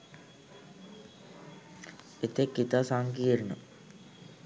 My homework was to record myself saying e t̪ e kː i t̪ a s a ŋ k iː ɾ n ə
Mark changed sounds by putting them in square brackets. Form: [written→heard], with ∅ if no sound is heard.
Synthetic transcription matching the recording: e t̪ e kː i t̪ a s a ŋ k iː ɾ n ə